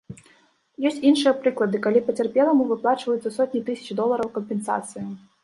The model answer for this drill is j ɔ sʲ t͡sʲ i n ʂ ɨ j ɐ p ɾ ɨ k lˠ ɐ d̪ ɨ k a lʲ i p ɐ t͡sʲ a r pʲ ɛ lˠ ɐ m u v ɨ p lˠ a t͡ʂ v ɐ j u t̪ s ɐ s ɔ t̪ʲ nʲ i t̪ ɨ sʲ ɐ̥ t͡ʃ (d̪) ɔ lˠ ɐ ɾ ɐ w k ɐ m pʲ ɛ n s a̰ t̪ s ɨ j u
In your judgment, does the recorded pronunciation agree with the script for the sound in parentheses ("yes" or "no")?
yes